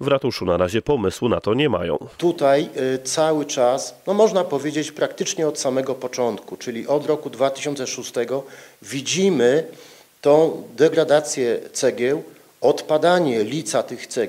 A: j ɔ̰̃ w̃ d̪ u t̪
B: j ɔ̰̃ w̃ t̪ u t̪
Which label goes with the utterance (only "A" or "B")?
B